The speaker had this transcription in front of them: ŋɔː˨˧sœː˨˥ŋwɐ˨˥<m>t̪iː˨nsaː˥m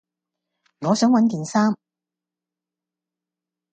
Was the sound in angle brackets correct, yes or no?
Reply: no